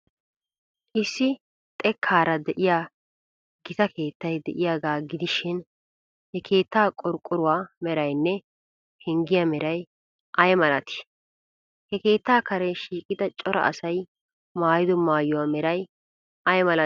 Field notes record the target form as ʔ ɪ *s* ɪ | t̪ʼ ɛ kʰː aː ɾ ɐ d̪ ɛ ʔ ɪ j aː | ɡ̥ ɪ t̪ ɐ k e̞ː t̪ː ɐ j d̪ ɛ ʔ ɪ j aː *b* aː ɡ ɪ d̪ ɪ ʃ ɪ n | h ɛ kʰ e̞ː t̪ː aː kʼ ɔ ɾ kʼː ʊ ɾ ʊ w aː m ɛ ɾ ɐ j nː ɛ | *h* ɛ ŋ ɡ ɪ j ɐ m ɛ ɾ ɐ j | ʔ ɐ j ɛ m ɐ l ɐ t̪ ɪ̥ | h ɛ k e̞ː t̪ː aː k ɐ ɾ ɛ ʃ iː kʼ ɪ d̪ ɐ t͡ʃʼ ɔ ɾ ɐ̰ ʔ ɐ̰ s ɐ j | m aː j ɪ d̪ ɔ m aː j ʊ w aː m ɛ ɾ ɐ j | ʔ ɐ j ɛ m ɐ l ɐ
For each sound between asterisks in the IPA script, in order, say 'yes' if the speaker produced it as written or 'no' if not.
no, no, yes

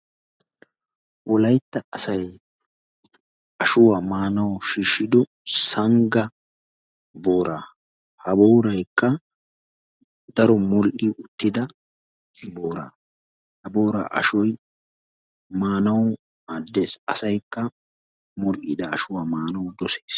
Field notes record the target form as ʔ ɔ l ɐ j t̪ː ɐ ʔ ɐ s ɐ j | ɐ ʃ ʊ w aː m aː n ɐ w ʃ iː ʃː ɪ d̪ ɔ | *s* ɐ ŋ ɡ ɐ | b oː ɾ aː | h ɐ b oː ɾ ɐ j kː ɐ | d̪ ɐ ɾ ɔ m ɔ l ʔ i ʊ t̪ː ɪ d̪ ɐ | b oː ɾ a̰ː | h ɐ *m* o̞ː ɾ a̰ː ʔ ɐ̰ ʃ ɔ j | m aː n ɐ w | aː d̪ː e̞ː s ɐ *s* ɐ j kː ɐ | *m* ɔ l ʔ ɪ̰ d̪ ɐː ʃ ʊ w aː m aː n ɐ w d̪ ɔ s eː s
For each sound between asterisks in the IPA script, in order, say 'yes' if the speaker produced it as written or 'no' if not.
yes, no, yes, yes

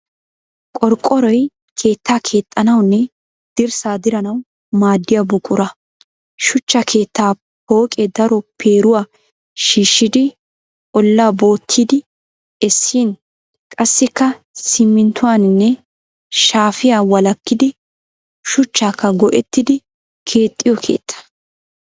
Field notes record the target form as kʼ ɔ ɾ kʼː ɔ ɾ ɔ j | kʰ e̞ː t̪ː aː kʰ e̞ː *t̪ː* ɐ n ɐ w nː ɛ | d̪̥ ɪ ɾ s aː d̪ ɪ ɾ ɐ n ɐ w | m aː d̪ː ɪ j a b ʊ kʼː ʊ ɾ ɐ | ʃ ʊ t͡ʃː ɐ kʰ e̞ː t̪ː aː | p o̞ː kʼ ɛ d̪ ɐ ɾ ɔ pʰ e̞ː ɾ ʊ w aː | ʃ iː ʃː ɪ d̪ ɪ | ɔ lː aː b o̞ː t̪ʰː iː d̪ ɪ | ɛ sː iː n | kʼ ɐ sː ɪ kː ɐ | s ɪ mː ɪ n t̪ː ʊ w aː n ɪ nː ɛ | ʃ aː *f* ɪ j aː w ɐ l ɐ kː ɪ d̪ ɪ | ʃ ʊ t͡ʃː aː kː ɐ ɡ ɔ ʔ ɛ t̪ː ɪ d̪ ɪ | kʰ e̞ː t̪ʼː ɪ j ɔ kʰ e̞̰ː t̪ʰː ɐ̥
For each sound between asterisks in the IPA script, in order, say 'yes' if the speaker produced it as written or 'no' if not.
no, yes

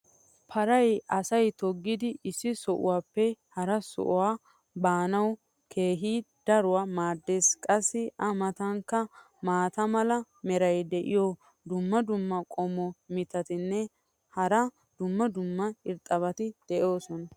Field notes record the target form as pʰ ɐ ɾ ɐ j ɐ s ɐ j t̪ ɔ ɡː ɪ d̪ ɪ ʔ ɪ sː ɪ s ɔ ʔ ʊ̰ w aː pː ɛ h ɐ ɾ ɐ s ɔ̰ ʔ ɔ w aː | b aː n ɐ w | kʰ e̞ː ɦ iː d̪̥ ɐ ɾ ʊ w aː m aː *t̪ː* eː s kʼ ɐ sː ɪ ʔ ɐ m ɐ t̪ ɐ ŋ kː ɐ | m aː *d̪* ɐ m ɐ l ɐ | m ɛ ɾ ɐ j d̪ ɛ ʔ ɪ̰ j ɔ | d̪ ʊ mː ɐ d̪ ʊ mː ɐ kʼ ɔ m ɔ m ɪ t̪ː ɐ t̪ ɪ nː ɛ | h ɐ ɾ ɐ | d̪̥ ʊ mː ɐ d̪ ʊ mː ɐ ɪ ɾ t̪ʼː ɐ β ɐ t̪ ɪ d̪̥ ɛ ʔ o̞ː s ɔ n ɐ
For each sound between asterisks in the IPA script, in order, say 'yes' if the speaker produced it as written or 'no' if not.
no, no

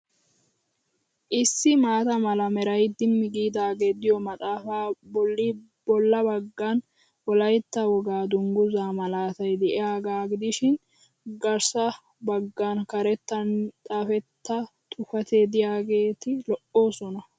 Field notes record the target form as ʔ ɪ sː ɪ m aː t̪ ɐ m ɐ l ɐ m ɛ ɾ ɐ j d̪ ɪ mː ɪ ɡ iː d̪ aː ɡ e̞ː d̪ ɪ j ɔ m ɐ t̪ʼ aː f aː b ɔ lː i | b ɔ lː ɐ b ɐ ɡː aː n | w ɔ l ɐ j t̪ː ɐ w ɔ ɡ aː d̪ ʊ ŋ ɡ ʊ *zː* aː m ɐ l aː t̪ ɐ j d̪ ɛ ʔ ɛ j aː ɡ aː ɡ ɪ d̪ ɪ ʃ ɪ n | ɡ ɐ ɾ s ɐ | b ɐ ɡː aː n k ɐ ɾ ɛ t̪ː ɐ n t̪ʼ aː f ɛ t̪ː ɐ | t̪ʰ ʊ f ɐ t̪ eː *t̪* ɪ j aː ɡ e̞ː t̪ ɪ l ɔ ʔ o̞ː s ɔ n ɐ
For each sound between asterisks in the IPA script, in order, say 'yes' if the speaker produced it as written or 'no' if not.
no, no

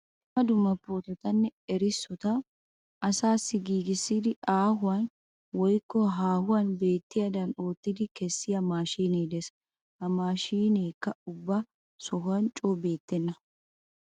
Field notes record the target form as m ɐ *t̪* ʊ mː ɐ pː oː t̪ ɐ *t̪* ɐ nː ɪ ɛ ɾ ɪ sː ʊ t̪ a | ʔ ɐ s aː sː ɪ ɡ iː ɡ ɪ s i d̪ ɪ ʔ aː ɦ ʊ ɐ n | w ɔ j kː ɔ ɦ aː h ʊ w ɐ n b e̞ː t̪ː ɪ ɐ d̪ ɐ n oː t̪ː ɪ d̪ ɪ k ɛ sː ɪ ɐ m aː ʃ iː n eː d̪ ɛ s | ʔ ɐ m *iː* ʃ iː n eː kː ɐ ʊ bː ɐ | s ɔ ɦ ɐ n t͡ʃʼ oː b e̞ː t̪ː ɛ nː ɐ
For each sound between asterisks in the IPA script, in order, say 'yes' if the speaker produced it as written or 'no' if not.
no, yes, no

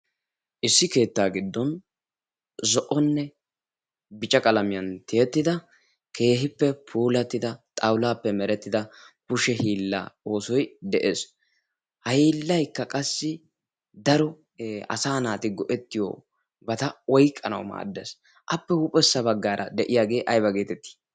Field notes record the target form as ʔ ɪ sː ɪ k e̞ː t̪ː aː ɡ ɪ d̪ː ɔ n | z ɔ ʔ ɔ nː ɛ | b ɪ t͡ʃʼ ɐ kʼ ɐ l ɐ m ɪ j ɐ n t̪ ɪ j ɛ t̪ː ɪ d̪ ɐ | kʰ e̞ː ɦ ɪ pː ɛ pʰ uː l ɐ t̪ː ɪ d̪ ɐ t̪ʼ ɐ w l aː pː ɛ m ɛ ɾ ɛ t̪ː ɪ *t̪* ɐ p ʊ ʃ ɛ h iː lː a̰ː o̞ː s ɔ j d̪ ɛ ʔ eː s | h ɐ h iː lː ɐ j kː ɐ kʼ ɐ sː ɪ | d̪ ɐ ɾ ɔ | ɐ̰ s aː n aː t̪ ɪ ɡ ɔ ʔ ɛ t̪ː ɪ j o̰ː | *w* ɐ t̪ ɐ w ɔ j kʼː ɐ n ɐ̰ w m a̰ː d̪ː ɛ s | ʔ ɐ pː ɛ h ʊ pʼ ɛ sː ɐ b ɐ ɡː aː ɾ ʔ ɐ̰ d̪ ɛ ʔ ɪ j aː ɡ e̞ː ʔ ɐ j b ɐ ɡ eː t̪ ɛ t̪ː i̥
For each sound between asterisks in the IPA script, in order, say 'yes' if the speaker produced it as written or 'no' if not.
no, no

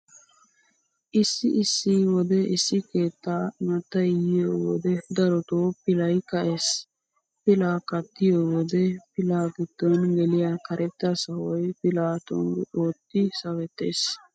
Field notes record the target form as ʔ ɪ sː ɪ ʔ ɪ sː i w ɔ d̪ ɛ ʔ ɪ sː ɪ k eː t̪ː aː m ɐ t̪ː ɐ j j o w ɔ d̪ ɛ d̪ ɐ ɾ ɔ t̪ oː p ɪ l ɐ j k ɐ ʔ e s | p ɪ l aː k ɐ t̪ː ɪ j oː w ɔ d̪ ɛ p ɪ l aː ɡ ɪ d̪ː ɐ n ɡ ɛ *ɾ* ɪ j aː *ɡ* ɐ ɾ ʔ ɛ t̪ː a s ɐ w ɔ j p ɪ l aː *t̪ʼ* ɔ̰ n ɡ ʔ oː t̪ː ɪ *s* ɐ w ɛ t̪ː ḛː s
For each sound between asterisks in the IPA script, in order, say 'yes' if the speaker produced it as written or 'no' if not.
no, no, no, yes

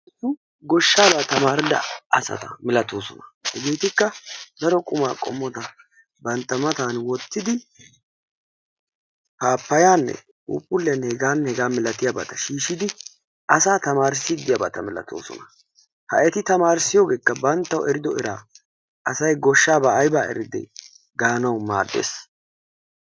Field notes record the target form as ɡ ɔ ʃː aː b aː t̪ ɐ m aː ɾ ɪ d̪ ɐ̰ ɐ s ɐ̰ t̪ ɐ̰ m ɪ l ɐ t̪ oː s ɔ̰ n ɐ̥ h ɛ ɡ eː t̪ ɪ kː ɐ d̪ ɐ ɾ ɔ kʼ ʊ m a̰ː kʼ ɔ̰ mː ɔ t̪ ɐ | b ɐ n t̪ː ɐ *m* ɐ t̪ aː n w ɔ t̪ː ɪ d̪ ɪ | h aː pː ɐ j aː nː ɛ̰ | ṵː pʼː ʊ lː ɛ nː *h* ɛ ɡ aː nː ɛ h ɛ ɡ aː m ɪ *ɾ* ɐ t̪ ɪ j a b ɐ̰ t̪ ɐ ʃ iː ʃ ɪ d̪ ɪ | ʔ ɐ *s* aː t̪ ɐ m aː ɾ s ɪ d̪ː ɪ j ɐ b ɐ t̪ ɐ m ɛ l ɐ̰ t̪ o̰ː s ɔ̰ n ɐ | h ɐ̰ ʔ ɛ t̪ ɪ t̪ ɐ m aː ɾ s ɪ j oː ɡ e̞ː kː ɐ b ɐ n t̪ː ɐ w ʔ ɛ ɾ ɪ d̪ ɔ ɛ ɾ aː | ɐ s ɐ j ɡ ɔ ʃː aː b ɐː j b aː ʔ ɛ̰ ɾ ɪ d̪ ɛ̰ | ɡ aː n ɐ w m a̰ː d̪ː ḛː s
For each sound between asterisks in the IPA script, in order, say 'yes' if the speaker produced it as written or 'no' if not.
yes, yes, no, yes

